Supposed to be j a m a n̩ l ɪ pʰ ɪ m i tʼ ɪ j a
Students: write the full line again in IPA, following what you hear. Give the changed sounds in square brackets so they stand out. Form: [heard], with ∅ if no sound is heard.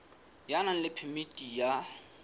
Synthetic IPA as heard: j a [n] a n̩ l ɪ pʰ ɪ m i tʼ [i] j a